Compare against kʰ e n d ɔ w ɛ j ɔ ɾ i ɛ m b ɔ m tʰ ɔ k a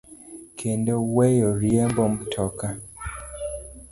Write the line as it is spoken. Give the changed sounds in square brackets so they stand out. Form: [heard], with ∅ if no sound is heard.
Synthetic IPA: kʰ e n d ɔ w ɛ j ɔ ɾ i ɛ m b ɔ m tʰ ɔ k a